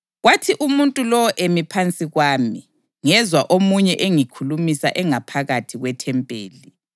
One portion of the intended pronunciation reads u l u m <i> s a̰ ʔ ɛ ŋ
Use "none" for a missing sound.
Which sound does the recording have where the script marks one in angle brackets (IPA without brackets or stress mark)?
i